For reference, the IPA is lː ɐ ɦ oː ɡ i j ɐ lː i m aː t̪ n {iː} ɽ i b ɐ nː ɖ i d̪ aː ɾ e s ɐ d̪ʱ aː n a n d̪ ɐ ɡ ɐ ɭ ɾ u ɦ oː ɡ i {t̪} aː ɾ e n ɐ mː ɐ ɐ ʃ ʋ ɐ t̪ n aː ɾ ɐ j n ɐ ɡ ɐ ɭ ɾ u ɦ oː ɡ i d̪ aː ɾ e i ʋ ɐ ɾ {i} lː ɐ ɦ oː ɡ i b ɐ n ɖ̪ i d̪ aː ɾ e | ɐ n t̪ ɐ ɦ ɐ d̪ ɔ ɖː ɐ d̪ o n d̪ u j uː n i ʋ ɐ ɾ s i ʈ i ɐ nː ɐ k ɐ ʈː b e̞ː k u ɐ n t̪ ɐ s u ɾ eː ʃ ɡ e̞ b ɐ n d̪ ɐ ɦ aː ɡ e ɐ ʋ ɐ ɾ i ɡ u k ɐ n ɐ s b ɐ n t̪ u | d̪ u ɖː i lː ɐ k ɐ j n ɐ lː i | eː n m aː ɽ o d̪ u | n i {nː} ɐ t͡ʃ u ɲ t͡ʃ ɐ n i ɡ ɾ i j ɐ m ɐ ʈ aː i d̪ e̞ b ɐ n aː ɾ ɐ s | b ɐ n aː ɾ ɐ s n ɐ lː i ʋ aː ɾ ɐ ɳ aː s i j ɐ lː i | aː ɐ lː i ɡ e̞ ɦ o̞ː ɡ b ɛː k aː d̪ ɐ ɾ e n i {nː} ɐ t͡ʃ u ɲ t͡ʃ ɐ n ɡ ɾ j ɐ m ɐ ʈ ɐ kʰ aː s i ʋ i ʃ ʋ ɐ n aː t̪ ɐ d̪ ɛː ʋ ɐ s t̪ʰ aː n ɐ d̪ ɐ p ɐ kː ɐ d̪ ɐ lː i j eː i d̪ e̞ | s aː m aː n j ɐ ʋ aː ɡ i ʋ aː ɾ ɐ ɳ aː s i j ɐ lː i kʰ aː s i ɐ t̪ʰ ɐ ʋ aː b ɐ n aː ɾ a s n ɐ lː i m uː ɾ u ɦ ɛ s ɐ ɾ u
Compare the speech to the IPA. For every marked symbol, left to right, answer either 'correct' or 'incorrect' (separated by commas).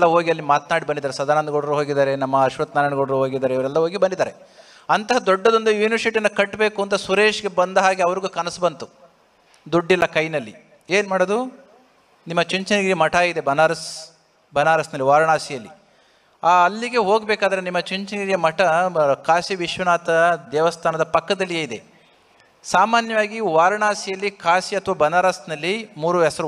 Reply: incorrect, incorrect, incorrect, incorrect, incorrect